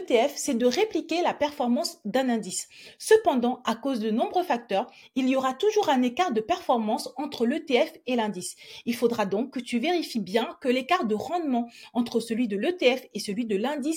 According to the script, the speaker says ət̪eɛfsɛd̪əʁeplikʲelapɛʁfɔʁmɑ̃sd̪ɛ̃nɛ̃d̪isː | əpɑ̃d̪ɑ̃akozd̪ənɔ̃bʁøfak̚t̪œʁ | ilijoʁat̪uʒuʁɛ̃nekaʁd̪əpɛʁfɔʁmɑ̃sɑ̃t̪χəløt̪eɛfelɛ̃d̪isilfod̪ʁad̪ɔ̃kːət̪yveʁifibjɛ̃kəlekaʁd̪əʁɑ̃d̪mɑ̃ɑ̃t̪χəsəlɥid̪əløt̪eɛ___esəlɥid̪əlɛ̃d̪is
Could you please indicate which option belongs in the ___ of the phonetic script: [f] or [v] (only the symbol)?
f